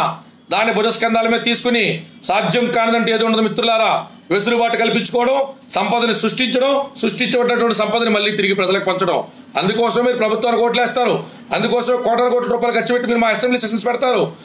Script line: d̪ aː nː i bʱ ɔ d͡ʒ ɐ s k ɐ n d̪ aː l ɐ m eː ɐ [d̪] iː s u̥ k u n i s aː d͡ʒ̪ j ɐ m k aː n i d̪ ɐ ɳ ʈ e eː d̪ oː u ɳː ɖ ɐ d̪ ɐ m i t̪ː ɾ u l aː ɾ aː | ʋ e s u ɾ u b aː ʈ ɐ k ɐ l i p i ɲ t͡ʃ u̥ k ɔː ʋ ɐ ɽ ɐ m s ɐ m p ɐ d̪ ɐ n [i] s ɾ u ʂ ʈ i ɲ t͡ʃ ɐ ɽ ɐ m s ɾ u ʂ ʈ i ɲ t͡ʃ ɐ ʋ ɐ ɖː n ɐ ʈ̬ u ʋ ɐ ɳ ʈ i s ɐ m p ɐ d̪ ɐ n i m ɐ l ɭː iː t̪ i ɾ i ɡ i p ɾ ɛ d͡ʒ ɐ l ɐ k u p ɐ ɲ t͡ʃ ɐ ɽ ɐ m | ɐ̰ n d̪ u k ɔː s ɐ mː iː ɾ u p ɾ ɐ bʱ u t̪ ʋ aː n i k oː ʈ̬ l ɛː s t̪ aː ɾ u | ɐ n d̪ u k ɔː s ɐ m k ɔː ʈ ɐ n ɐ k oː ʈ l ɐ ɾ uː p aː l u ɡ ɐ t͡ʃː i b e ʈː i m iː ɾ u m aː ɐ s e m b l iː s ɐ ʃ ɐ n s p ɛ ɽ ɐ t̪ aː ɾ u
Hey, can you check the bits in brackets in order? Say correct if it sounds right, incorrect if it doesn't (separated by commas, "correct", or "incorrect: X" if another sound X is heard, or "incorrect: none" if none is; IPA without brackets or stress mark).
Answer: incorrect: t̪, correct